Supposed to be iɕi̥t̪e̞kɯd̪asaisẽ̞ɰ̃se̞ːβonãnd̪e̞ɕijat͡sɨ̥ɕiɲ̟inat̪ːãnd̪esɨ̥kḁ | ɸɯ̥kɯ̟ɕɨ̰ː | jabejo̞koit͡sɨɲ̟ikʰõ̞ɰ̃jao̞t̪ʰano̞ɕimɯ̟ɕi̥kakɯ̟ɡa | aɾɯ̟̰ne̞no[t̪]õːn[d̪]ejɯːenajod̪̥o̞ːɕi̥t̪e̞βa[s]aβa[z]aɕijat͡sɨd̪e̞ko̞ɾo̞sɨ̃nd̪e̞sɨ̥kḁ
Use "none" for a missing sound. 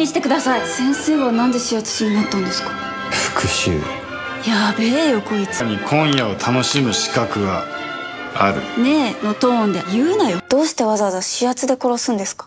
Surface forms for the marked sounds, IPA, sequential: t̪, d̪, z, z

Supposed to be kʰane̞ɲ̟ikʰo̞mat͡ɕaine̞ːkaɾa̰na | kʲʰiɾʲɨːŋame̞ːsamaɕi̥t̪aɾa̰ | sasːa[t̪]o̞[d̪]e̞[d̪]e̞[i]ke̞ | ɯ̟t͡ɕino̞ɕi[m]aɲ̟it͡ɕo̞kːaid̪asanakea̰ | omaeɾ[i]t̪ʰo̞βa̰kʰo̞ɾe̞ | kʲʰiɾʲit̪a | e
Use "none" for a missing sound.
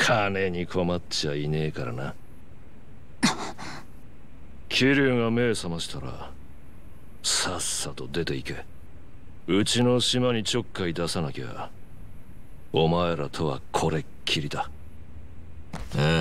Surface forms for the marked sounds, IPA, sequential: t̪, d̪, t̪, i, m, a

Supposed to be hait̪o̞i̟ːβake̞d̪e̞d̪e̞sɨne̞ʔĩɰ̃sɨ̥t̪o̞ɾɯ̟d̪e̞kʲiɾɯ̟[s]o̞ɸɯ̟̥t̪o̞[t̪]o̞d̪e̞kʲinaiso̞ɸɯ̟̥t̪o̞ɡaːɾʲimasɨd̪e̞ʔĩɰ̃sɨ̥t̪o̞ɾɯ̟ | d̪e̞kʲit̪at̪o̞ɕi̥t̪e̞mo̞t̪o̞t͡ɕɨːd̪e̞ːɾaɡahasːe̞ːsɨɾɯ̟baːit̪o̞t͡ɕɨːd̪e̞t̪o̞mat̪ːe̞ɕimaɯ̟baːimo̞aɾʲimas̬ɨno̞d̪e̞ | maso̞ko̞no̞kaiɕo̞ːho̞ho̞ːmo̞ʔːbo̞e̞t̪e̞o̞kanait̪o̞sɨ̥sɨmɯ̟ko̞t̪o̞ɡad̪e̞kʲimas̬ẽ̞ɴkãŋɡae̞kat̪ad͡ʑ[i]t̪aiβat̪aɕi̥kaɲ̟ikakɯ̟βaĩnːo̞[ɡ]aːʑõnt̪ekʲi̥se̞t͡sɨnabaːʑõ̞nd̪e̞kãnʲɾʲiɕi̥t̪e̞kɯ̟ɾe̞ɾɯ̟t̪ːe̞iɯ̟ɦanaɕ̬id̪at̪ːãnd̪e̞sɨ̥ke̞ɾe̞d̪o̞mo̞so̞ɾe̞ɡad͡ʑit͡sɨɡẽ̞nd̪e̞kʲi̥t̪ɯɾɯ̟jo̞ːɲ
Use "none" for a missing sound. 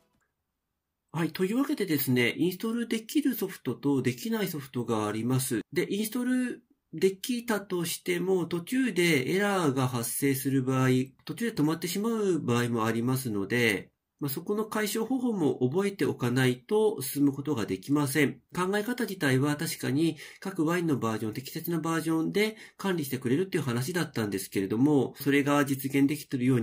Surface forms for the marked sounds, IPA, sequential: s, t̪, i, b

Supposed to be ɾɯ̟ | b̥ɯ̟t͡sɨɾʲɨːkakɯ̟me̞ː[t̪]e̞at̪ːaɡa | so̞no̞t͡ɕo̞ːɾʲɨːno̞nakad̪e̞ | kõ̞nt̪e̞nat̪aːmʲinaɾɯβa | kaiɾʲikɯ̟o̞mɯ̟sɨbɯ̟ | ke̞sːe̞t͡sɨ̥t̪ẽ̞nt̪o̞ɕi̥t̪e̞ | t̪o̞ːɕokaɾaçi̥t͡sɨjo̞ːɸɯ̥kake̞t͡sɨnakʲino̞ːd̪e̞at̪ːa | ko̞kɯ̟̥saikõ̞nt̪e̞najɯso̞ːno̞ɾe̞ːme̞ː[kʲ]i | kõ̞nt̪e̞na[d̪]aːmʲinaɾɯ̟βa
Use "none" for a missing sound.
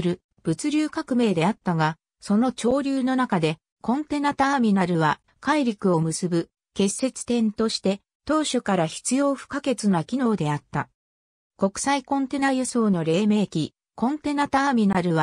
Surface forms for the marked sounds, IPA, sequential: d̪, kʲ, t̪

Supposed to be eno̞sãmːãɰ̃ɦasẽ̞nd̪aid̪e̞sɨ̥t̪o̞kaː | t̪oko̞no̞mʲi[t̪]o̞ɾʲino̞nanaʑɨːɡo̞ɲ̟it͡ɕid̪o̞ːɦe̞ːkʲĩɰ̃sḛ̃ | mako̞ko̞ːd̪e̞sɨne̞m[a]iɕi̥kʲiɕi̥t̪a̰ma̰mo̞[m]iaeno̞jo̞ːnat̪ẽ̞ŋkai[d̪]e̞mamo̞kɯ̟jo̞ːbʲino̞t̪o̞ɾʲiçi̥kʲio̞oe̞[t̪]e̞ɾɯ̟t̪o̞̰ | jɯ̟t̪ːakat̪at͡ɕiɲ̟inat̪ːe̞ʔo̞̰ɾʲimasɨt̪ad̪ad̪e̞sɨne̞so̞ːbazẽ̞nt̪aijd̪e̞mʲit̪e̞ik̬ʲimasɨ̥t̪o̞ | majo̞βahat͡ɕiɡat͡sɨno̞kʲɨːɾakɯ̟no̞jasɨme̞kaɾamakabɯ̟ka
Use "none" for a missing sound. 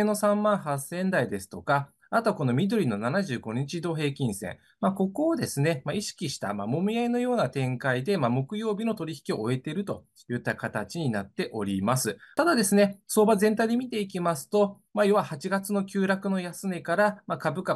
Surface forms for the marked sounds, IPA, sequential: d̪, a, m, d̪, t̪

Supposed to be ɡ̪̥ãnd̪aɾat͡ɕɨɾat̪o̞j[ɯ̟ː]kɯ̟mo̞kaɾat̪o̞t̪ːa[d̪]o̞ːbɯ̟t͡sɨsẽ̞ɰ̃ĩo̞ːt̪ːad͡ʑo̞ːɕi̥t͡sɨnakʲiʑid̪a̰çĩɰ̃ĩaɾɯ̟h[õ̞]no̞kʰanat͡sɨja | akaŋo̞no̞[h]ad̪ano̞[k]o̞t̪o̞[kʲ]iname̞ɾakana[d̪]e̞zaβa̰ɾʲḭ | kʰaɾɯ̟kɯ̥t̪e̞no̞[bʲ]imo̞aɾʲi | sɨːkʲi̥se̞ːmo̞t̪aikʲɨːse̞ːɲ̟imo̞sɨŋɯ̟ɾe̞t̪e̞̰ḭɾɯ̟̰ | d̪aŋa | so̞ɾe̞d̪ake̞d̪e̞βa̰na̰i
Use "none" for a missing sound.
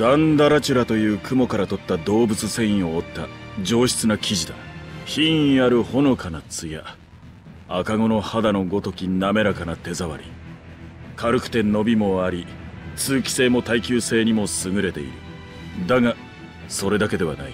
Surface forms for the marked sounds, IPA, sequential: ɯ̟ː, d̪, o̞, h, ɡ, kʲ, t̪, bʲ

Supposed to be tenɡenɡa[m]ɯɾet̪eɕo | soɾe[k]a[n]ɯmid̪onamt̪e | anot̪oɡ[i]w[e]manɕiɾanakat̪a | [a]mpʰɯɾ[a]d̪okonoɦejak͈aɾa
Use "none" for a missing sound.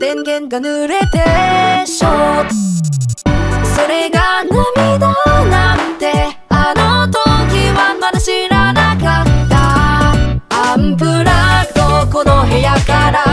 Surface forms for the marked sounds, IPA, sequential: n, ɡ, n, i, a, a, a

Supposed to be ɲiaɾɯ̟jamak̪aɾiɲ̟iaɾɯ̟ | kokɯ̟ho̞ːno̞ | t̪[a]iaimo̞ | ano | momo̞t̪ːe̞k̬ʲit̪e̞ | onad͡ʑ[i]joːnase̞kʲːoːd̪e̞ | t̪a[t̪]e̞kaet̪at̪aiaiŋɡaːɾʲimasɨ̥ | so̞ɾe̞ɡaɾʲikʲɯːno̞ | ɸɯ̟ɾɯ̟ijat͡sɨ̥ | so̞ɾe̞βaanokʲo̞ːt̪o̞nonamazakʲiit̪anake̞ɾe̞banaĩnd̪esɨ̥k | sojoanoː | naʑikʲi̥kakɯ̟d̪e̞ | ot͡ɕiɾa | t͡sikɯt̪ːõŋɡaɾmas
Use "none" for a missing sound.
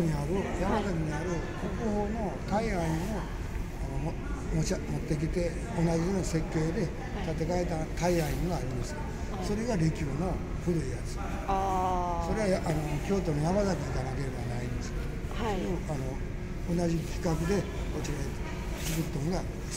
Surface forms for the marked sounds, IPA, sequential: a, i, t̪

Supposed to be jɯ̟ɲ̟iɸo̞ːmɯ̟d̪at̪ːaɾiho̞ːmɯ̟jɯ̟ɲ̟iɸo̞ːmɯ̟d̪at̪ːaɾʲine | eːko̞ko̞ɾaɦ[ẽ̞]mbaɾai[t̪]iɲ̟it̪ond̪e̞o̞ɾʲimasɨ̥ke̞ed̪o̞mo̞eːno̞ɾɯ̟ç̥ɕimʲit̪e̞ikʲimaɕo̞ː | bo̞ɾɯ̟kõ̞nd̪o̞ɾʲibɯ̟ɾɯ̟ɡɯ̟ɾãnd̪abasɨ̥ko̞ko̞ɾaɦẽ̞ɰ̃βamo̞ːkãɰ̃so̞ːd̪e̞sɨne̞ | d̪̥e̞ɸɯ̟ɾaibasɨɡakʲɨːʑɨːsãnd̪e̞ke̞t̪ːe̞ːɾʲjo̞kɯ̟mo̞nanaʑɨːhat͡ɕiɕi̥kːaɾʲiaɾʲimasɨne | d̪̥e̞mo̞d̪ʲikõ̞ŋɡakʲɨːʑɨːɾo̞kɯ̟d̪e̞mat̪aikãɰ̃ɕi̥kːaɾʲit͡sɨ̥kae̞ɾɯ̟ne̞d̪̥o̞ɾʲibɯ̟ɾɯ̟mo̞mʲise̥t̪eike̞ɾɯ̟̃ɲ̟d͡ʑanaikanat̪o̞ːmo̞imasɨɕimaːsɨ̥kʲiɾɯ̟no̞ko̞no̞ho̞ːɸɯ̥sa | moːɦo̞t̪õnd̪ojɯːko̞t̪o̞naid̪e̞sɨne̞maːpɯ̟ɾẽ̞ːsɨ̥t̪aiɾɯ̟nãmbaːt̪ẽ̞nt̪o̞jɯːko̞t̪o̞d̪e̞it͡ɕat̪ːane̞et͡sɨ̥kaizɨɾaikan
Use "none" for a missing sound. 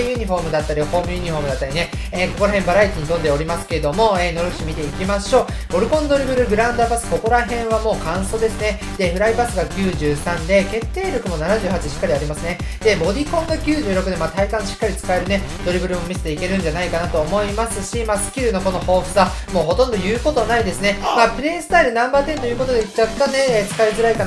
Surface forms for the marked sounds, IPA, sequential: ẽ̞, t̪

